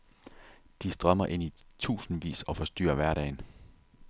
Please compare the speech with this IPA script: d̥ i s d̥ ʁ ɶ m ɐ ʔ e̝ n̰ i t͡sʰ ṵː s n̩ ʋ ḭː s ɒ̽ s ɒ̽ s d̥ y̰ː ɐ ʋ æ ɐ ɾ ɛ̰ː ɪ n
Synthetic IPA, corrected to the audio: d̥ i s d̥ ʁ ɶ m ɐ ʔ e̝ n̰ i t͡sʰ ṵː s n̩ ʋ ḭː s ɒ̽ f ɒ̽ s d̥ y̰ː ɐ ʋ æ ɐ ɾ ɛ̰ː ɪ n